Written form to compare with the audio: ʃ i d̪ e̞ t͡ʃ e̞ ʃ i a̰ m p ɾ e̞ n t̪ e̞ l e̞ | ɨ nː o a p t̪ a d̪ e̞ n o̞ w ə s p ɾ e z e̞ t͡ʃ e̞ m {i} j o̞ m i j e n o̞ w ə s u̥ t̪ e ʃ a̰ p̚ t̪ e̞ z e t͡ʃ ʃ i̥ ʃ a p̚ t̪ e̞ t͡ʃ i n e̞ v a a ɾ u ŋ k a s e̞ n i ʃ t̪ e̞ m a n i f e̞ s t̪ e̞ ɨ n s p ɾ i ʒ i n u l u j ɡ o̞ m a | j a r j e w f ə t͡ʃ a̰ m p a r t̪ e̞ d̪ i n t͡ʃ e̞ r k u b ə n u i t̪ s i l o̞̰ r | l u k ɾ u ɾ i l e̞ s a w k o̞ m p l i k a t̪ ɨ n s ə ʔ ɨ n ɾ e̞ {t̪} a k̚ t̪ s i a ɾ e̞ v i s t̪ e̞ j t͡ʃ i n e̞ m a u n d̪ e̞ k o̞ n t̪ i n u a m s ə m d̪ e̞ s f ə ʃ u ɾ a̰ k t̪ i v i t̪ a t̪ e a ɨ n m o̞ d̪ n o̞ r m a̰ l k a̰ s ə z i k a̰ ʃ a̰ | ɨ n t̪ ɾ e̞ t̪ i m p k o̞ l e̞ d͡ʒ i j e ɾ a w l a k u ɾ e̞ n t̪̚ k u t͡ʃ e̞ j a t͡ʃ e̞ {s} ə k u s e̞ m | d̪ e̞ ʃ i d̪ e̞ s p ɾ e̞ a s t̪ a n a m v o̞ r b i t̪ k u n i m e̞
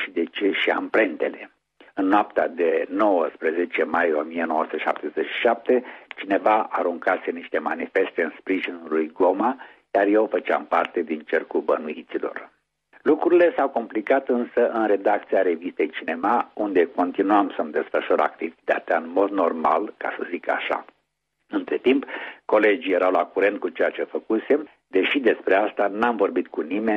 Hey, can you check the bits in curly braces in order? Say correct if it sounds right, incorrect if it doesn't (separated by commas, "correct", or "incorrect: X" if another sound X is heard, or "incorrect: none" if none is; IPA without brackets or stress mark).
incorrect: a, incorrect: d̪, incorrect: f